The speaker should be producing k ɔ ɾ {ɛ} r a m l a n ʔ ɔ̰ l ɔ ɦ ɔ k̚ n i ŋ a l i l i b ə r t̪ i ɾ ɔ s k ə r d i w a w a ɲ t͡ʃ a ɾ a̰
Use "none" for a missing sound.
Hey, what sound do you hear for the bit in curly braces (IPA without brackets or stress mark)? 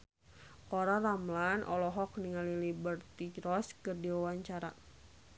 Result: a